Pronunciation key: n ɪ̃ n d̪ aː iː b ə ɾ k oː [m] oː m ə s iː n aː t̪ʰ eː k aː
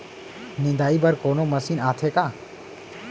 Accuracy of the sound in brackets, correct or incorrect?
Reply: incorrect